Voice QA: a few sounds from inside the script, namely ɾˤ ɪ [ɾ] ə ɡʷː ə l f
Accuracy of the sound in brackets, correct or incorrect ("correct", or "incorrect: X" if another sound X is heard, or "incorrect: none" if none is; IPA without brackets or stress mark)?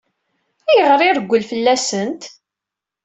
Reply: correct